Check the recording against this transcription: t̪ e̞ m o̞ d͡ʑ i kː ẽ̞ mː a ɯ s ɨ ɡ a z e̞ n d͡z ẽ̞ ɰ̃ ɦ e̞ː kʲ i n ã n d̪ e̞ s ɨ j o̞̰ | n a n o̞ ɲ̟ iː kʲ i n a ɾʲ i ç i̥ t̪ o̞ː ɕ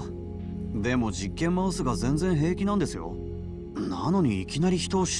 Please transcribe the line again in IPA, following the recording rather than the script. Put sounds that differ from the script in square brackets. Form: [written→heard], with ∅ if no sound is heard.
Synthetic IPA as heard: [t̪→d̪] e̞ m o̞ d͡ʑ i kː ẽ̞ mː a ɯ s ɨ ɡ a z [e̞→ẽ̞] n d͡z ẽ̞ ɰ̃ ɦ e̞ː kʲ i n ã n d̪ e̞ s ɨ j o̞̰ | n a n o̞ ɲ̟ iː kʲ i n a ɾʲ i ç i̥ t̪ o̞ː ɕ